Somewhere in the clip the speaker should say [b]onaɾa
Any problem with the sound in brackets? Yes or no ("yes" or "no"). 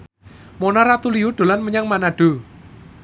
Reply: yes